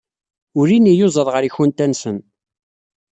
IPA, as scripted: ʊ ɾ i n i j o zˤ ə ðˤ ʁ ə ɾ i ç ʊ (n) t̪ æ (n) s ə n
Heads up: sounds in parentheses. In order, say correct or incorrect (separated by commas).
correct, correct